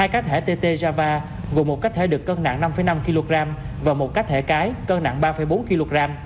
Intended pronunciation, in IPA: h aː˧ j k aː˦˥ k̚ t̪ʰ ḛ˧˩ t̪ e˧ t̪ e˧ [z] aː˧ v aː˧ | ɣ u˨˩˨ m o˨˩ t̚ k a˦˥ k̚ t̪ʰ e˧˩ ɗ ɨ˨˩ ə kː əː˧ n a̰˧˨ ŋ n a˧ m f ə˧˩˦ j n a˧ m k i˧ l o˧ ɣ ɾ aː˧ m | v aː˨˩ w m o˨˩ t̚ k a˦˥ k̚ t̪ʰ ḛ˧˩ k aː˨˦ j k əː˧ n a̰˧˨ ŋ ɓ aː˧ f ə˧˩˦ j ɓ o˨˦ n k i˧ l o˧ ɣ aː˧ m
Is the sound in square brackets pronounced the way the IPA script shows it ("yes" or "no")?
yes